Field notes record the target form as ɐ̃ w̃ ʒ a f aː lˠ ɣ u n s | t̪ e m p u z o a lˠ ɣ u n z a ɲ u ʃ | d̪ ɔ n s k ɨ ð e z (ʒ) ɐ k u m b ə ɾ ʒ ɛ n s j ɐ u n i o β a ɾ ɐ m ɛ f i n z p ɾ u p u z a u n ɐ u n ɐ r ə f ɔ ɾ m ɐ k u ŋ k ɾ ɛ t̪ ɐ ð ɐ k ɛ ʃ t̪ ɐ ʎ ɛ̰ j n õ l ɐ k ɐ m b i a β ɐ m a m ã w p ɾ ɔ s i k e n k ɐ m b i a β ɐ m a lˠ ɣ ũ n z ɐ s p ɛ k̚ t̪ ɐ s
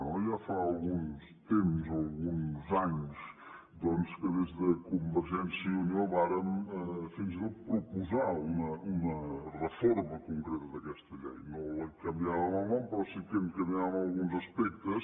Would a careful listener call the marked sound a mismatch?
yes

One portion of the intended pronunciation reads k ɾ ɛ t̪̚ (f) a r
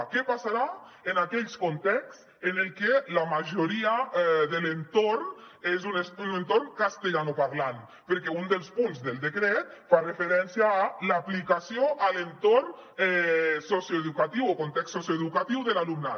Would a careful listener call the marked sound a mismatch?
no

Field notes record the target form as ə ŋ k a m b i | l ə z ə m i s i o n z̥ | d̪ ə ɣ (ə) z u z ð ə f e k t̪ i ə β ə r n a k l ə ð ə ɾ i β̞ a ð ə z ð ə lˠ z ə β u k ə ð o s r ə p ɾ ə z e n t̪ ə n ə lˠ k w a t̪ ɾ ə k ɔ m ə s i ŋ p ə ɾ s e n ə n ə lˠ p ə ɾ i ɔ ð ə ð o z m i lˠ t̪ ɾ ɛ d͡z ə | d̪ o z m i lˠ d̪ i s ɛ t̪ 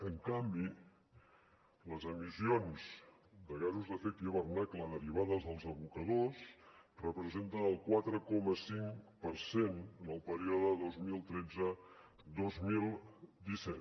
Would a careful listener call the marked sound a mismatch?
yes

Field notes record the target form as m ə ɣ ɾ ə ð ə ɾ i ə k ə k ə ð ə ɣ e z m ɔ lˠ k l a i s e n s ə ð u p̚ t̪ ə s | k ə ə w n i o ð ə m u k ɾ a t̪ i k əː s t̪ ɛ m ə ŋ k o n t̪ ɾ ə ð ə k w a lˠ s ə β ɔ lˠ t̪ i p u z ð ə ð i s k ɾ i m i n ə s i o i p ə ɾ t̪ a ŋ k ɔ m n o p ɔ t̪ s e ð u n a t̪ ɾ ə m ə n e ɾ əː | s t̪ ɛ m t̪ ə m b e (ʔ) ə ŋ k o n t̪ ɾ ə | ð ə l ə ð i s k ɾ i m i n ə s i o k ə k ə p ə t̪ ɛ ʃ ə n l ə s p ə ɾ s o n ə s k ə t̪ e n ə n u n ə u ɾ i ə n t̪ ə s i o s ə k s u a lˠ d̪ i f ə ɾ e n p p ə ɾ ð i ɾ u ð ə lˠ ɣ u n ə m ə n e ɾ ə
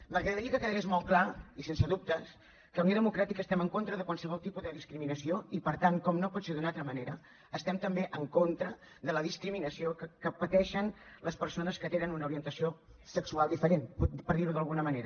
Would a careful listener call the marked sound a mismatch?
no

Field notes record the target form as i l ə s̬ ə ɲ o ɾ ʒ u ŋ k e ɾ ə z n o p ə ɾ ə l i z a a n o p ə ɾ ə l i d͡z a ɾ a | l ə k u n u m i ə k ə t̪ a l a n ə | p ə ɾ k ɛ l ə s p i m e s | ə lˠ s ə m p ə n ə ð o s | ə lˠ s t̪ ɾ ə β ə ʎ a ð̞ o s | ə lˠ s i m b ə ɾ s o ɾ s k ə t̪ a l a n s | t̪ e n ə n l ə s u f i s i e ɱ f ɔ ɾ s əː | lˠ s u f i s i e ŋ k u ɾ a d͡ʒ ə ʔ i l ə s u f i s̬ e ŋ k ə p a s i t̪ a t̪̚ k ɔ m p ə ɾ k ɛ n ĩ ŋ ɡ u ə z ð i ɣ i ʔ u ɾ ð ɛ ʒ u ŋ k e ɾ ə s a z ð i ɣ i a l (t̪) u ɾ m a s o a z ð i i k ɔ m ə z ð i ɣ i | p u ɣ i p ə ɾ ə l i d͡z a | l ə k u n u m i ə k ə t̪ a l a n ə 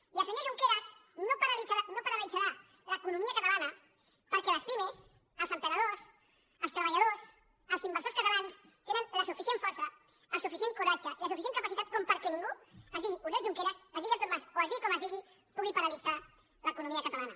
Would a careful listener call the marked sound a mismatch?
no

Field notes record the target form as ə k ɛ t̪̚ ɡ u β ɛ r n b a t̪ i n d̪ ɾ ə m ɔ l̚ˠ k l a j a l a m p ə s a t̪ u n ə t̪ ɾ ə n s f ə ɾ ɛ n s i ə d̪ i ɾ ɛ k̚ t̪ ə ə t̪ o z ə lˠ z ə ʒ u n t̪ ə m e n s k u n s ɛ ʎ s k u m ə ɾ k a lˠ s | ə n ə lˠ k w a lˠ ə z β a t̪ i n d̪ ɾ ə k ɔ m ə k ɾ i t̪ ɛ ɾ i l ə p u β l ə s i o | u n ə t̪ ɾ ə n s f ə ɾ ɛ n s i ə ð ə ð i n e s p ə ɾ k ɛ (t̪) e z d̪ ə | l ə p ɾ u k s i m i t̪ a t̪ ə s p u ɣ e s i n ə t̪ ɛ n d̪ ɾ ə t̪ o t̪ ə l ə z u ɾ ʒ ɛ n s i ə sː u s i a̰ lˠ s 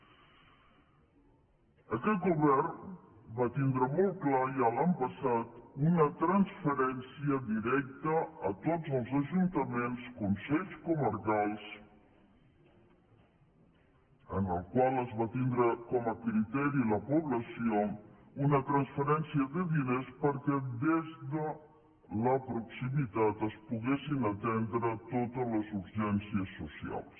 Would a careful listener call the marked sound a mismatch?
yes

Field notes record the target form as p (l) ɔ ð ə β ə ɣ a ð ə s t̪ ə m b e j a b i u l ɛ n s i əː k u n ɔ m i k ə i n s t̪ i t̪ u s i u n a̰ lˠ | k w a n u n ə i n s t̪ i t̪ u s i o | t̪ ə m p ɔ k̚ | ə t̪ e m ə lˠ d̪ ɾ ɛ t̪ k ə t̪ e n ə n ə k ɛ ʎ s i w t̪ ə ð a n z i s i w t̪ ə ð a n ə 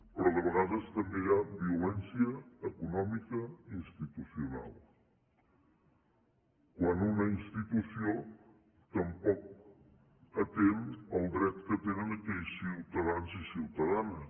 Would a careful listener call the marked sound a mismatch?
yes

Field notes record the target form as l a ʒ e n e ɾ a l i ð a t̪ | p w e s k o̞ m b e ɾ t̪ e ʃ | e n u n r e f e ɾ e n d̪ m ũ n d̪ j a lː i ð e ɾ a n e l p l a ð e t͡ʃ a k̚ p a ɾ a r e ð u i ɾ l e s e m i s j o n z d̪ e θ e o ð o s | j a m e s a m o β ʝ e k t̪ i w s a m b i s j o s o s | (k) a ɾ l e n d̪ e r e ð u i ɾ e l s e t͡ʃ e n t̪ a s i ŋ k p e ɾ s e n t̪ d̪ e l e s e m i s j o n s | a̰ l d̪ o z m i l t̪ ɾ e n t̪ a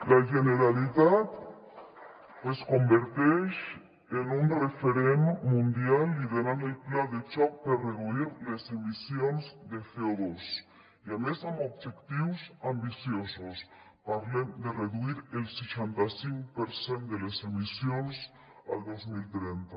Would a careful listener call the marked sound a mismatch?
yes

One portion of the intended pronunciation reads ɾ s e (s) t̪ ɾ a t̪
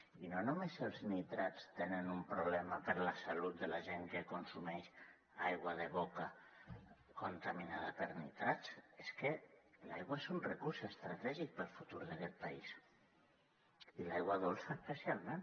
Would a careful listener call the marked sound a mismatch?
no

